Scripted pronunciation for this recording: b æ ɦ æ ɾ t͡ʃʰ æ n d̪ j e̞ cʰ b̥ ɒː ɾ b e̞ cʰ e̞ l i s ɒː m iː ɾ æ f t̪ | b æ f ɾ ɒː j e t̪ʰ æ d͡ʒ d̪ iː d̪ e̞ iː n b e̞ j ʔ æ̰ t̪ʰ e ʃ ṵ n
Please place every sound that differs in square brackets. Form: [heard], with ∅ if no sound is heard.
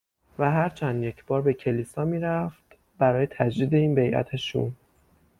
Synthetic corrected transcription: [v] æ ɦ æ ɾ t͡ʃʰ æ n d̪ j e̞ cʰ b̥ ɒː ɾ b e̞ cʰ e̞ l i s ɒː m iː ɾ æ f t̪ | b æ [∅] ɾ ɒː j e t̪ʰ æ d͡ʒ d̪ iː d̪ e̞ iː n b e̞ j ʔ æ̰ t̪ʰ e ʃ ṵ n

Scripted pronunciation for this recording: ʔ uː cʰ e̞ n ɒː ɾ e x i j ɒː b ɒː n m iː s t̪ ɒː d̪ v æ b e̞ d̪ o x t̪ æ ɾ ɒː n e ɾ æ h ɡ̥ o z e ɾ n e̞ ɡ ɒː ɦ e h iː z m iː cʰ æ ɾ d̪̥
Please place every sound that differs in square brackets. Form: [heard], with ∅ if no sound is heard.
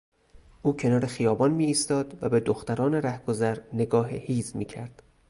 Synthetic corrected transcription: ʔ uː cʰ e̞ n ɒː ɾ e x i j ɒː b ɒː n m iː s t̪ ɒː d̪ v æ b e̞ d̪ o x t̪ æ ɾ ɒː n e ɾ æ h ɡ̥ o z [æ] ɾ n e̞ ɡ ɒː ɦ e h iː z m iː cʰ æ ɾ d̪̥

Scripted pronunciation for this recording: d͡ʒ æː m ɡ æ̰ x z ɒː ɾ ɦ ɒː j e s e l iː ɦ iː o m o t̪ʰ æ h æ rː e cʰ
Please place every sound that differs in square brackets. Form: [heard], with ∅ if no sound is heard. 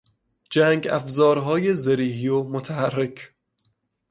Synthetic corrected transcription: d͡ʒ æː [ŋ] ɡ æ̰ [f] z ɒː ɾ ɦ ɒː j e [z] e [ɾ] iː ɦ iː o m o t̪ʰ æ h æ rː e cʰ

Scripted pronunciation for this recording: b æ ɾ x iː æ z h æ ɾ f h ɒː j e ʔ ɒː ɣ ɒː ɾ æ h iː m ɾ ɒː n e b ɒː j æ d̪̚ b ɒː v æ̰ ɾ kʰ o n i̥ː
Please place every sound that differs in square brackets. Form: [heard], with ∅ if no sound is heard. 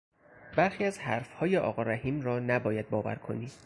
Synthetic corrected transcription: b æ ɾ x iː æ z h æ ɾ f h ɒː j e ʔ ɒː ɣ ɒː ɾ æ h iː m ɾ ɒː n [æ] b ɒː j æ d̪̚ b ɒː v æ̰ ɾ kʰ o n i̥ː

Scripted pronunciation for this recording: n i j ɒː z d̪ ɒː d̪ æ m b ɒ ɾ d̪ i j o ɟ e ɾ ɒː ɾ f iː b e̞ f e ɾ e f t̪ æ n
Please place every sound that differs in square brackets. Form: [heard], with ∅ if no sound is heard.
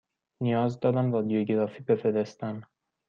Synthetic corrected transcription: n i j ɒː z d̪ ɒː d̪ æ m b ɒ [∅] d̪ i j o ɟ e ɾ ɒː [∅] f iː b e̞ f e ɾ e [s] t̪ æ n

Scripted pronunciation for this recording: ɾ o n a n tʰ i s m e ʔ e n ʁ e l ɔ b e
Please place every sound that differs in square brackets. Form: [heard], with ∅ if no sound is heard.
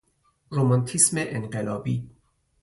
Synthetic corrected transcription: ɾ o [m] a n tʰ i s m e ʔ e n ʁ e l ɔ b [i]

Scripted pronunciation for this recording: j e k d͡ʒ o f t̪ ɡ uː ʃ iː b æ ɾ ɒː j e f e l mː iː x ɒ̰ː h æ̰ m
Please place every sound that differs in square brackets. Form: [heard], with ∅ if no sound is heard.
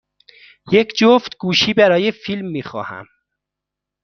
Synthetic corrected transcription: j e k d͡ʒ o f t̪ ɡ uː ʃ iː b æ ɾ ɒː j e f [i] l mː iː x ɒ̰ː h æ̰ m

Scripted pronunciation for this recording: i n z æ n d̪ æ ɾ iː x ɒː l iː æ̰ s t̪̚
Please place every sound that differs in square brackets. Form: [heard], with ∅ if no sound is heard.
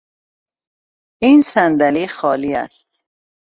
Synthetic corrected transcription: i n [s] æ n d̪ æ [l] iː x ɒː l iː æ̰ s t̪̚

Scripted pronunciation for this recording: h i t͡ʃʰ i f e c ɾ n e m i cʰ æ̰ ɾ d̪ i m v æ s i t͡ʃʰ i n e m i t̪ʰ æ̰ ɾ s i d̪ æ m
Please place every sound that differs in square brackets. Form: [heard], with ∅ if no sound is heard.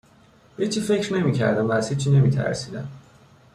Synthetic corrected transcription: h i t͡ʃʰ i f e c ɾ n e m i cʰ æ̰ ɾ d̪ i m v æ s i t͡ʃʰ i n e m i t̪ʰ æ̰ ɾ s i d̪ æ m

